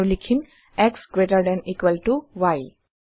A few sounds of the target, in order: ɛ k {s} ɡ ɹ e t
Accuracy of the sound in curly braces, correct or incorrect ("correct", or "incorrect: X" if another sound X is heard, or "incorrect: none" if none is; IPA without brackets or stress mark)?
correct